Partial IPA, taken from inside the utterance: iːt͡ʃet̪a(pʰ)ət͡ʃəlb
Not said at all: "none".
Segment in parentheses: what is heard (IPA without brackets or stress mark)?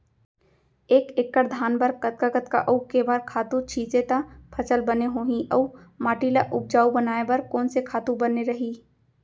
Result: pʰ